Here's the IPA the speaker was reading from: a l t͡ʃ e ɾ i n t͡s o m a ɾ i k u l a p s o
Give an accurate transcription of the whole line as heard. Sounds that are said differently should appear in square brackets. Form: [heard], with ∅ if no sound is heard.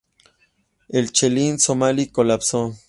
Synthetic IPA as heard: [e] l t͡ʃ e [l] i n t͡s o m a [l] i k [o] l a p s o